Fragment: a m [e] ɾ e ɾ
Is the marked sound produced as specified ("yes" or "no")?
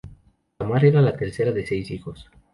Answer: no